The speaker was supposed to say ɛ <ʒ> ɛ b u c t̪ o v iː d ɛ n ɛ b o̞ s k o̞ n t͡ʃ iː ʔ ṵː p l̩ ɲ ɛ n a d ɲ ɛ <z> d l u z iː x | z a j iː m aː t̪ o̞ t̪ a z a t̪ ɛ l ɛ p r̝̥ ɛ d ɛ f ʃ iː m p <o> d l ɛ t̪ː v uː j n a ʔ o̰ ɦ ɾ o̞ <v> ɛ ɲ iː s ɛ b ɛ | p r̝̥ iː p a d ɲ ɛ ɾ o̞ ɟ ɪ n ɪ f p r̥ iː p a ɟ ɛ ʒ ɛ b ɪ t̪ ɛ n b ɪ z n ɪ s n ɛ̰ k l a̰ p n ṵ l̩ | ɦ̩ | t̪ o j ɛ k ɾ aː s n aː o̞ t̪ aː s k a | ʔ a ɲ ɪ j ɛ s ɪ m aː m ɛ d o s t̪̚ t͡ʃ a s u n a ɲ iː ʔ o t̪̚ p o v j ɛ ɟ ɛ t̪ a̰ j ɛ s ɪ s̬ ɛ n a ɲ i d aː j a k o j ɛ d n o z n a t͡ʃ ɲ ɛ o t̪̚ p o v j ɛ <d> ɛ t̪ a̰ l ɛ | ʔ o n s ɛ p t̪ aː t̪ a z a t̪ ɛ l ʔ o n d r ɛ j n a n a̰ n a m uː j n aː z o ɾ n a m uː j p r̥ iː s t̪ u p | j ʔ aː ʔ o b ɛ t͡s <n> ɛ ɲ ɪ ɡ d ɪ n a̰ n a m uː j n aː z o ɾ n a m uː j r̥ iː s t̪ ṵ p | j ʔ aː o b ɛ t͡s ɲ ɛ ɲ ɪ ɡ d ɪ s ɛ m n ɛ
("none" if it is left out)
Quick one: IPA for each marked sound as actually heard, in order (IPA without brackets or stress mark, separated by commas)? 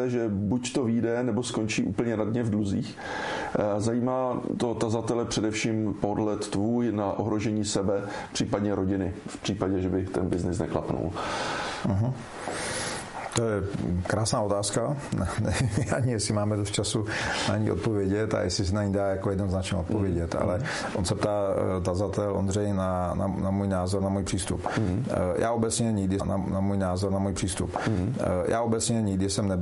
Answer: ʒ, v, o, ʒ, ɟ, ɲ